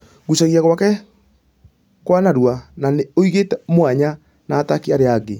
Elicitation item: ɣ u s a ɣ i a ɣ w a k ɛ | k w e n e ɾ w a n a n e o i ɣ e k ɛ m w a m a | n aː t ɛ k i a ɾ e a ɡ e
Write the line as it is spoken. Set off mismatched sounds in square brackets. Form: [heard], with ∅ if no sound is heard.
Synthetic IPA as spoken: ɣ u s a ɣ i a ɣ w a k ɛ | k w [a] n [a] ɾ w a n a n e o i ɣ e [t] ɛ m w a [ɲ] a | n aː t [a] k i a ɾ e a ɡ e

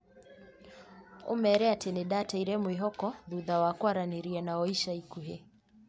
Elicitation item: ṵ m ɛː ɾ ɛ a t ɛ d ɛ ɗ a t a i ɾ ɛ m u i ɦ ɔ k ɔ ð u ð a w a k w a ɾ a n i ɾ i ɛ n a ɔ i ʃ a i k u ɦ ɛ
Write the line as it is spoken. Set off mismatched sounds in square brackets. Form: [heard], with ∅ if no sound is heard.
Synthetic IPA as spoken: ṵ m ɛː ɾ ɛ a t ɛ [n] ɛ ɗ a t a i ɾ ɛ m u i ɦ ɔ k ɔ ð u ð a w a k w a ɾ a n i ɾ i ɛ n a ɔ i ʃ a i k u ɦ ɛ

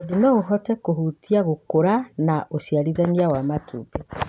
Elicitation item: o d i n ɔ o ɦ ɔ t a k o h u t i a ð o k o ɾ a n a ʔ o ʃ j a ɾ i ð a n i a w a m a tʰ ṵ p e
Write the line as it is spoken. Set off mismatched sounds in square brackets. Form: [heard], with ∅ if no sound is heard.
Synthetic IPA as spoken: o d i n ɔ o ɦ ɔ t [ɛ] k o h u t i a [ɣ] o k o ɾ a n a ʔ o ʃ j a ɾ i ð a n i a w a m a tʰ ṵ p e

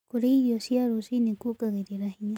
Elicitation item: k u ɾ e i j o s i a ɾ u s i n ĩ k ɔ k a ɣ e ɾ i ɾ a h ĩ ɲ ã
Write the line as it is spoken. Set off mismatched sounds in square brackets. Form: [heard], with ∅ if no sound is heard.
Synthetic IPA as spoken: k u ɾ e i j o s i a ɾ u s i n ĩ k [u] k a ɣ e ɾ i ɾ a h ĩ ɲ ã

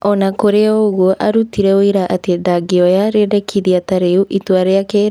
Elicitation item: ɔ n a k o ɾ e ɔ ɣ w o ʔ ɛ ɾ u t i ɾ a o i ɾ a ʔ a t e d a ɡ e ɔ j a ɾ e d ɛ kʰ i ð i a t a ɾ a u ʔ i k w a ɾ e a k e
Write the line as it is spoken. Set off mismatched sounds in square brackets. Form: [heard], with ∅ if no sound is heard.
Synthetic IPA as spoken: ɔ n a k o ɾ e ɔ ɣ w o ʔ [a] ɾ u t i ɾ [ɛ] o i ɾ a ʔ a t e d a ɡ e ɔ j a ɾ e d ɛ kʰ i ð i a t a ɾ [e] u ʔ i [t] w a ɾ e a k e

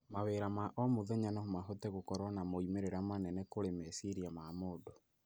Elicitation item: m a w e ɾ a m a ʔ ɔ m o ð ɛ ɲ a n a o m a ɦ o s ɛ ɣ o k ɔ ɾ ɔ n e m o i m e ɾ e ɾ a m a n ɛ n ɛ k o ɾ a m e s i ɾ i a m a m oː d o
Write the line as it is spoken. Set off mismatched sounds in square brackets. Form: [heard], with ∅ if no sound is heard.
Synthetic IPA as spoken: m a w e ɾ a m a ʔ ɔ m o ð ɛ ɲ a n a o m a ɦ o [t] ɛ ɣ o k ɔ ɾ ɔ n [a] m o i m e ɾ e ɾ a m a n ɛ n ɛ k o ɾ [e] m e s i ɾ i a m a m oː d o

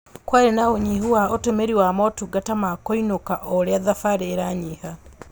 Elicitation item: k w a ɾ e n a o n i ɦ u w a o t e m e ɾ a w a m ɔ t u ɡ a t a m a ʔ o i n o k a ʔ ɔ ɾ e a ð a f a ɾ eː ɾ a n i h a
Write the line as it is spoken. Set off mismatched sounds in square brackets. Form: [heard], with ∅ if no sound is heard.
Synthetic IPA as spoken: k w a ɾ e n a o [ɲ] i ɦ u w a o t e m e ɾ [i] w a m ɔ t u ɡ a t a m a [k] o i n o k a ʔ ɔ ɾ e a ð a f a ɾ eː ɾ a [ɲ] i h a

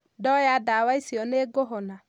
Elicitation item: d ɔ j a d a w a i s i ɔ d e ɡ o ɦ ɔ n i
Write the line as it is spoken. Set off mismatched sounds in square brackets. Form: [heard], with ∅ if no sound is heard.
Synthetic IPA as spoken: d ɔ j a d a w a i s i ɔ [n] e ɡ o ɦ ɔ n [a]

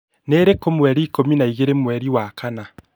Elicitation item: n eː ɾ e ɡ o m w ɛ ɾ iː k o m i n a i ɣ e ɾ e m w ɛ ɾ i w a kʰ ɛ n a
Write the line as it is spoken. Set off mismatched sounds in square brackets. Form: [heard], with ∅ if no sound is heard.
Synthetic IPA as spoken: n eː ɾ e [k] o m w ɛ ɾ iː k o m i n a i ɣ e ɾ e m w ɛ ɾ i w a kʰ [a] n a

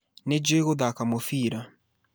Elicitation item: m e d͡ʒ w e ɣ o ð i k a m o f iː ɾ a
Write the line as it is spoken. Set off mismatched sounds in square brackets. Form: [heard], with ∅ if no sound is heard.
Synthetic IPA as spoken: [n] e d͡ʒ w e ɣ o ð [a] k a m o f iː ɾ a

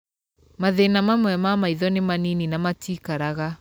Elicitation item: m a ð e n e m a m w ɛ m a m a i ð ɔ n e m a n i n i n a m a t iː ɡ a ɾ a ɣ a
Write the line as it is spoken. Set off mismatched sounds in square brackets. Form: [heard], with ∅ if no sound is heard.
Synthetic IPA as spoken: m a ð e n [a] m a m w ɛ m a m a i ð ɔ n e m a n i n i n a m a t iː [k] a ɾ a ɣ a

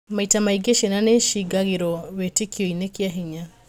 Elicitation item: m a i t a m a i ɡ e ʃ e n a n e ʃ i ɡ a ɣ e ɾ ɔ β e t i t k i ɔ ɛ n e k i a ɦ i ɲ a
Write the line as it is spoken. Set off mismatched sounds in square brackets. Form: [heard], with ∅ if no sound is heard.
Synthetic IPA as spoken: m a i t a m a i ɡ e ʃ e n a n e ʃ i ɡ a ɣ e ɾ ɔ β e t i [∅] k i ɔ [i] n e k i a ɦ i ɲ a

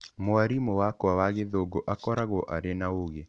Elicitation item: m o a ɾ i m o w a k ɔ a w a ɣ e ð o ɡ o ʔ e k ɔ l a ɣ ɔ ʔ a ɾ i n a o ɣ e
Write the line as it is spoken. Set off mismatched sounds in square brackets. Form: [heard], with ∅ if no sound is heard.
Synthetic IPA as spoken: m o a ɾ i m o w a k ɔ a w a ɣ e ð o ɡ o ʔ [a] k ɔ [ɾ] a ɣ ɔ ʔ a ɾ [e] n a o ɣ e

